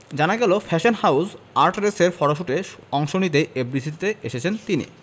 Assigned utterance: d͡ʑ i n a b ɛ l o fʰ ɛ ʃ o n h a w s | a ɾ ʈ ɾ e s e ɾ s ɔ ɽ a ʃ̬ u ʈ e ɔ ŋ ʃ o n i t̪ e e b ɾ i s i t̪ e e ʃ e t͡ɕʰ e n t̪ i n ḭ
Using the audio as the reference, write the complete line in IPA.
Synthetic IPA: d͡ʑ a n a ɡ ɛ l o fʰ ɛ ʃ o n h a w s | a ɾ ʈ ɾ e s e ɾ f ɔ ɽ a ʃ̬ u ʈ e ɔ ŋ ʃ o n i t̪ e e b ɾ i s i t̪ e e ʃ e t͡ɕʰ e n t̪ i n ḭ